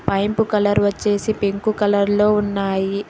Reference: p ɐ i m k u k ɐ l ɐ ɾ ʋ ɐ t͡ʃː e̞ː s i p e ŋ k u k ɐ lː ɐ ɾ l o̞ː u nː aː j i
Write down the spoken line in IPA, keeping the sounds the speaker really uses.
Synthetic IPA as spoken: p ɐ j m p u k ɐ l ɐ ɾ ʋ ɐ t͡ʃː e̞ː s i p e ŋ k u k ɐ l ɐ ɾ l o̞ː u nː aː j i